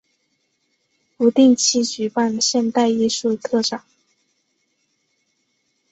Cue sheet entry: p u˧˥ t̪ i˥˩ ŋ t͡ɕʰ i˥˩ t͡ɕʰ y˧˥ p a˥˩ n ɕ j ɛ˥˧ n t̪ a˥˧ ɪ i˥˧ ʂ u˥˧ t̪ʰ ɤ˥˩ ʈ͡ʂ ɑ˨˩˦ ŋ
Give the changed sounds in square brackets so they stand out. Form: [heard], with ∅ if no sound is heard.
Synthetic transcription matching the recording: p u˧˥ t̪ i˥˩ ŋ t͡ɕʰ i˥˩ [t͡ɕ] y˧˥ p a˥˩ n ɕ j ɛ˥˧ n t̪ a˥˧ ɪ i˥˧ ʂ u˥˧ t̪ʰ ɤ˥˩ ʈ͡ʂ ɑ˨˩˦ ŋ